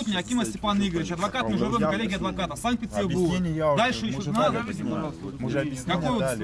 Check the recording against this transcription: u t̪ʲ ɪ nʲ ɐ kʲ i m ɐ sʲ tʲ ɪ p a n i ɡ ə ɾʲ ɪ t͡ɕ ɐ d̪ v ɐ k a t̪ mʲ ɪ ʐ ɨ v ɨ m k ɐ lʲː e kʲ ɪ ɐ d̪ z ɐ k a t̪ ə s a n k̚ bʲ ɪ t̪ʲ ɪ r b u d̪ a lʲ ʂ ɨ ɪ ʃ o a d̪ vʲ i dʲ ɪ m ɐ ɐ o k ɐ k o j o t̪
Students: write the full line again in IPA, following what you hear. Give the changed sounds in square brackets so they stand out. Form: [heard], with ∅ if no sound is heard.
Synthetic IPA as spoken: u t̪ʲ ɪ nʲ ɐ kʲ i m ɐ sʲ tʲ ɪ p a n i ɡ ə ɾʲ ɪ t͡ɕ ɐ d̪ v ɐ k a t̪ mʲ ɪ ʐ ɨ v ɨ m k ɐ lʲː e [ɡʲ] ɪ ɐ d̪ [v] ɐ k a t̪ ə s a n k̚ [pʲ] ɪ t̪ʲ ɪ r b u d̪ a lʲ ʂ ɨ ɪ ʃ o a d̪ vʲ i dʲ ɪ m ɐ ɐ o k ɐ k o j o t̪